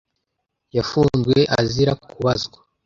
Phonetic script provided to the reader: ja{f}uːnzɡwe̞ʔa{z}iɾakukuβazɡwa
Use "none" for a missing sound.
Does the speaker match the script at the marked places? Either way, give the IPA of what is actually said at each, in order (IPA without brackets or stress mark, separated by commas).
f, z